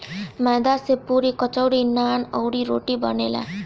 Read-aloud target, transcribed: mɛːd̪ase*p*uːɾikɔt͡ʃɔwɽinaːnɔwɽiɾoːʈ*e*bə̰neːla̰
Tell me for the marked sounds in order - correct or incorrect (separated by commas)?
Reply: correct, incorrect